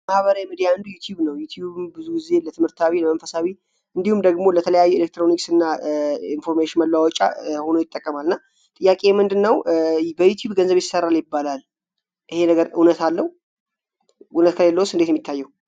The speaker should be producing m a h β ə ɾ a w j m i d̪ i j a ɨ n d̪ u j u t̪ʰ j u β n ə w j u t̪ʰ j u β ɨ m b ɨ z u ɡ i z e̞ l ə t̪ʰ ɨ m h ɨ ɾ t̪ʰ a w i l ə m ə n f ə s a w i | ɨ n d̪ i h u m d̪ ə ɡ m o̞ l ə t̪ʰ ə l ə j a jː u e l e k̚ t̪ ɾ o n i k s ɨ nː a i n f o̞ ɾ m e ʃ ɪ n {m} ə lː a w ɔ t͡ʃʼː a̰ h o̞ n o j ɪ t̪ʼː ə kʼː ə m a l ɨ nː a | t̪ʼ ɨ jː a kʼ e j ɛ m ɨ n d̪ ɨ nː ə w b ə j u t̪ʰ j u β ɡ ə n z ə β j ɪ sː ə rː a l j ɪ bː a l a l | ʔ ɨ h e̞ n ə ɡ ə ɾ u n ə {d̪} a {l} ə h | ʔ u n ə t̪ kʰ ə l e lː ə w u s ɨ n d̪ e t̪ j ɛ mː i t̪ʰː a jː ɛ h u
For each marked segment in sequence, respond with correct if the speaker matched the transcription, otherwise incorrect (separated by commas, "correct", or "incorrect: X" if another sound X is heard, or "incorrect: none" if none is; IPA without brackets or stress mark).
correct, incorrect: t̪, incorrect: lː